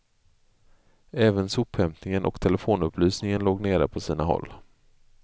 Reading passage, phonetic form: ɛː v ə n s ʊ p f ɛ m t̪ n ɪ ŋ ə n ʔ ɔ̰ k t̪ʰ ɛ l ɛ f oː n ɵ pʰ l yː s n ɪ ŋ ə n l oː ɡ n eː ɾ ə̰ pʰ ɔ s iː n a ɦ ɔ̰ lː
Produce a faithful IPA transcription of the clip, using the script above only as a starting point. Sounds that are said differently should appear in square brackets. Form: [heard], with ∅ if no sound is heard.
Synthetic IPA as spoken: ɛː v ə n s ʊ p [h] ɛ m t̪ n ɪ ŋ ə n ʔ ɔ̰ k t̪ʰ ɛ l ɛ f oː n ɵ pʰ l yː s n ɪ ŋ ə n l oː ɡ n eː ɾ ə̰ pʰ ɔ s iː n a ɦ ɔ̰ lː